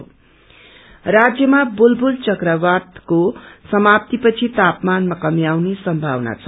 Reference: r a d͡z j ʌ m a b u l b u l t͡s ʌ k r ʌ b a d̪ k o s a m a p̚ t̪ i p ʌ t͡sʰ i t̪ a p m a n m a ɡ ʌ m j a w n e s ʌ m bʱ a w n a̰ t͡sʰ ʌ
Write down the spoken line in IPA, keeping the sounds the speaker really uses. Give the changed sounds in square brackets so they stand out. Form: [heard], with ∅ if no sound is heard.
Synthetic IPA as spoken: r a d͡z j ʌ m a b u l b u l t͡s ʌ k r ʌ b a d̪ k o s [ʌ] m a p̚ t̪ i p ʌ t͡sʰ i t̪ a p m a n m a [k] ʌ m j a w n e s ʌ m bʱ a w n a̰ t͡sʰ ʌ